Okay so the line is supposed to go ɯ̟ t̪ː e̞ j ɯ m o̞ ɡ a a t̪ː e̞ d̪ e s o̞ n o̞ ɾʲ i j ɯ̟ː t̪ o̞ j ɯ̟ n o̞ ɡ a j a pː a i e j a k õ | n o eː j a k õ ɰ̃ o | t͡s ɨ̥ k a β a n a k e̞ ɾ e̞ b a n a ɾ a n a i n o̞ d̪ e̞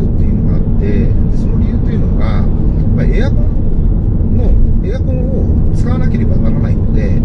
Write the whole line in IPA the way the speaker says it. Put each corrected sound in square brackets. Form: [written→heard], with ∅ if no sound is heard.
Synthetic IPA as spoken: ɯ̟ t̪ː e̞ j ɯ [m→n] o̞ ɡ a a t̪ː e̞ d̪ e s o̞ n o̞ ɾʲ i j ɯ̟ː t̪ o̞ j ɯ̟ n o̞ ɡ a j a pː a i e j a k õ | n o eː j a k õ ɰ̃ o | t͡s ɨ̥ k a β a n a k e̞ ɾ e̞ b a n a ɾ a n a i n o̞ d̪ e̞